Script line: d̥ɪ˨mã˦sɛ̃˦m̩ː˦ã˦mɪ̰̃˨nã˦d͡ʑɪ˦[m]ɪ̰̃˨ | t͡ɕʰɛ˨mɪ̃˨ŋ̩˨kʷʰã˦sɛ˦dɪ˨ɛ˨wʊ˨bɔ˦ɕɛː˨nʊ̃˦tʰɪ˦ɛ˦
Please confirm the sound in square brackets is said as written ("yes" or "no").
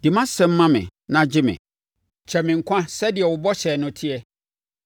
yes